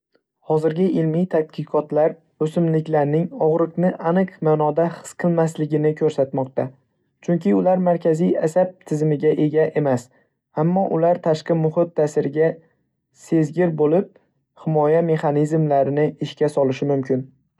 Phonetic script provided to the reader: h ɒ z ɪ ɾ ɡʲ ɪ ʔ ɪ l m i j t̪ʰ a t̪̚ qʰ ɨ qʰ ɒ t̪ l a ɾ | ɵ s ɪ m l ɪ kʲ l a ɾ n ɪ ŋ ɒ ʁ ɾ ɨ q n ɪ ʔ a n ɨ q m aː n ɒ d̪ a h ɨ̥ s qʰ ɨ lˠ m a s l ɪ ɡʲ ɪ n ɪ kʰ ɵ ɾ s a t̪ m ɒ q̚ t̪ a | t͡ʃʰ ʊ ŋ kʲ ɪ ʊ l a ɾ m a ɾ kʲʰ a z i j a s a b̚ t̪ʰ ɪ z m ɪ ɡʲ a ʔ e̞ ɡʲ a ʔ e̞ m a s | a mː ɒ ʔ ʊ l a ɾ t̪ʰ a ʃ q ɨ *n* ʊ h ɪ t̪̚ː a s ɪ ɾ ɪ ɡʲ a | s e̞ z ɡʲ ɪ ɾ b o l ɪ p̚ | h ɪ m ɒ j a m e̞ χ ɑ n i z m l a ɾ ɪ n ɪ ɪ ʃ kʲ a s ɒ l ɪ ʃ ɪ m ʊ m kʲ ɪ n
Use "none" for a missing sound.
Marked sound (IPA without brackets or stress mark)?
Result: m